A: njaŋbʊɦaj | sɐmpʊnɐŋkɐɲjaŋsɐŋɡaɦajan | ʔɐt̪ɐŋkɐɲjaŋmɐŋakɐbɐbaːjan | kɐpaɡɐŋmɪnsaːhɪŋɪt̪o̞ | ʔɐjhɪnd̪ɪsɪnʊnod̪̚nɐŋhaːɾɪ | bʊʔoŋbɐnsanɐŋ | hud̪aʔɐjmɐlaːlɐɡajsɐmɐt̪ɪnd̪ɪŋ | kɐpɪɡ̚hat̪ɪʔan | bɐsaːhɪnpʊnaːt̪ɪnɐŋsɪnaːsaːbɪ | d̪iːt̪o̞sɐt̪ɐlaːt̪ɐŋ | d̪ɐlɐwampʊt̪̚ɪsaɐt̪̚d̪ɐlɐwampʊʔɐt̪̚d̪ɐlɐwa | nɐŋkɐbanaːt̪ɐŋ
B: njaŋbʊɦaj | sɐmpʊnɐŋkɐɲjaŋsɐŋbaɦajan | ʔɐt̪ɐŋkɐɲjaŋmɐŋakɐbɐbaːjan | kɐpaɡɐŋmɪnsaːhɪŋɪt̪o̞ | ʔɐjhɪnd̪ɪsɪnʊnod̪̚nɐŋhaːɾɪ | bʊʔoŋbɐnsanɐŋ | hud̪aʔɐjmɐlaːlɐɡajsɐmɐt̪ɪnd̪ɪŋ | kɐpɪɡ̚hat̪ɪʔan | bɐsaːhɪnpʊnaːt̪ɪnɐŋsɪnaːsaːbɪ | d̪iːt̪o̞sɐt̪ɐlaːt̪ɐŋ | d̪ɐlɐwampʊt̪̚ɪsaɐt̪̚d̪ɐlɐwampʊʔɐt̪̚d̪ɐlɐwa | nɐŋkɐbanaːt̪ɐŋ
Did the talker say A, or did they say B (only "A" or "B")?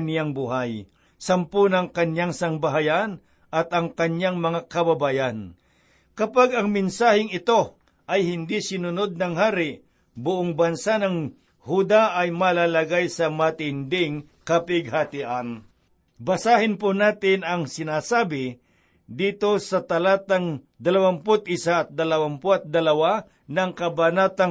B